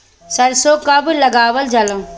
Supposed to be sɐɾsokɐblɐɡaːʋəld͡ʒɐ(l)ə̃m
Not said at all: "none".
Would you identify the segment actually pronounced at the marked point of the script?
l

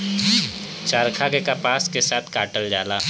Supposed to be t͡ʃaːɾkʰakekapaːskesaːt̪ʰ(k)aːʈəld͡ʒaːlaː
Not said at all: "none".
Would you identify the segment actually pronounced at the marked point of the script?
k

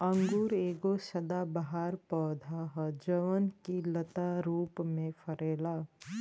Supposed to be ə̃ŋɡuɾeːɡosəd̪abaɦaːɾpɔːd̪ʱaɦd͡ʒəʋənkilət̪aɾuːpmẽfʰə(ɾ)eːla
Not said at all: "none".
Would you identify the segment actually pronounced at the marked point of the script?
ɾ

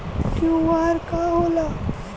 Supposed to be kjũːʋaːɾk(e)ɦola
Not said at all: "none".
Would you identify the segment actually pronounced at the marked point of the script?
a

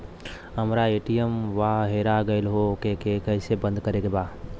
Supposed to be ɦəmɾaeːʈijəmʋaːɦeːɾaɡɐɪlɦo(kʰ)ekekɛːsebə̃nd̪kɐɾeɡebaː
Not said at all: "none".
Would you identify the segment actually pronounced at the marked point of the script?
k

